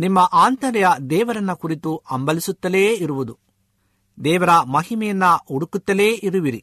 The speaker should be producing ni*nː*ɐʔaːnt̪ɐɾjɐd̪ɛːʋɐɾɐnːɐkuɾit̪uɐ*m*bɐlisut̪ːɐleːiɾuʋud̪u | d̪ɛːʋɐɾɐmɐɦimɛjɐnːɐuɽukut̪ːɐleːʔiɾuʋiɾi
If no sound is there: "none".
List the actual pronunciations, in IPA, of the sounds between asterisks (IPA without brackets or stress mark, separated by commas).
mː, m